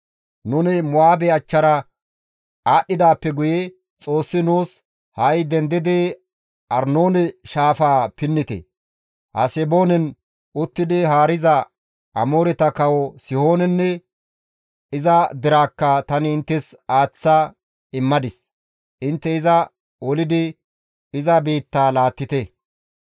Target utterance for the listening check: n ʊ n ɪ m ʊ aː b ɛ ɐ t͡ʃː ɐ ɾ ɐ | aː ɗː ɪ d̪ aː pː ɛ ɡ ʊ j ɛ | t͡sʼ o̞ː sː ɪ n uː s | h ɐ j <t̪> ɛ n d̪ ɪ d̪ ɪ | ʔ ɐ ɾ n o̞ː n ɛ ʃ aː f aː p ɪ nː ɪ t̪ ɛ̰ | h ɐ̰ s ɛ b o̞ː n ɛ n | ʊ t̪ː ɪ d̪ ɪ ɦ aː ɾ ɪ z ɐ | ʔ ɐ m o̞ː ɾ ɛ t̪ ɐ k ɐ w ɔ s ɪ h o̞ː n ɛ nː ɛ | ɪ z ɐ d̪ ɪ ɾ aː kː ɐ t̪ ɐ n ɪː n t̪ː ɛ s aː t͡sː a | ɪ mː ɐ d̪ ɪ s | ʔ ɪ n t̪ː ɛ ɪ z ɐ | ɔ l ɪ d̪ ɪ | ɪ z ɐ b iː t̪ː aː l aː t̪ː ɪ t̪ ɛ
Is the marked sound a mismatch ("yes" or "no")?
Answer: yes